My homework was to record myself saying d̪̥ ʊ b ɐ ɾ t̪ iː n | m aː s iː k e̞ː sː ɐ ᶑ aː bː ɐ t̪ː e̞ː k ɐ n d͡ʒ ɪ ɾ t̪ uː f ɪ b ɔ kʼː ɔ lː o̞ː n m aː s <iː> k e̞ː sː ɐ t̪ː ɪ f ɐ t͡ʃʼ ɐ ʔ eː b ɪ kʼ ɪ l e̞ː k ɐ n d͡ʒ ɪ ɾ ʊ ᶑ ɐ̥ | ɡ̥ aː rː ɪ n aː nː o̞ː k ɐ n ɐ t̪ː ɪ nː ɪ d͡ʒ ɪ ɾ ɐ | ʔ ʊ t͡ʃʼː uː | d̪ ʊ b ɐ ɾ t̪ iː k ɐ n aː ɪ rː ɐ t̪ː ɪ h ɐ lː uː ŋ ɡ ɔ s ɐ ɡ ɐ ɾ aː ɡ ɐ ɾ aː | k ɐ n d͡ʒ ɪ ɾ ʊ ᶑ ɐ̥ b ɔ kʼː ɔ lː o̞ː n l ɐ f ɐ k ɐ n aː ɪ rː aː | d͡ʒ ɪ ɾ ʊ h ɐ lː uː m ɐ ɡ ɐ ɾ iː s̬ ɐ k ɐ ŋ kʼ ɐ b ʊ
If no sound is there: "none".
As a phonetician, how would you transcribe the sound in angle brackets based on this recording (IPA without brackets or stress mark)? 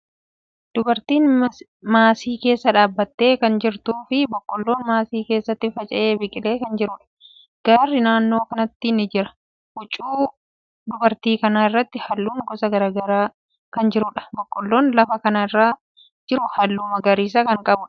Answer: iː